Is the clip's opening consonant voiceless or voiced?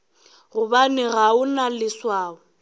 voiced